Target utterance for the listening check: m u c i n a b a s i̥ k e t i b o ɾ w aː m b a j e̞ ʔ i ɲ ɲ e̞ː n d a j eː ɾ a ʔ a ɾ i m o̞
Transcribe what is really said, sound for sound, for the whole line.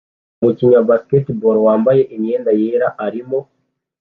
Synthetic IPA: m u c i ɲ a b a s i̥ k e t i b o ɾ w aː m b a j e̞ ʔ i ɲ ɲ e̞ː n d a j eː ɾ a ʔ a ɾ i m o̞